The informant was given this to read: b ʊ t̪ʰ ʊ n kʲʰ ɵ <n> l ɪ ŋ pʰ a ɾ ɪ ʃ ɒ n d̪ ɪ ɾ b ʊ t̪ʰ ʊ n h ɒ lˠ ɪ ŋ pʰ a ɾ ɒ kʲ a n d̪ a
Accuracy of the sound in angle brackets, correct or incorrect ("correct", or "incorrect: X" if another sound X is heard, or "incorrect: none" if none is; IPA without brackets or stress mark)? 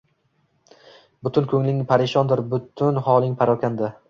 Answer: incorrect: ŋ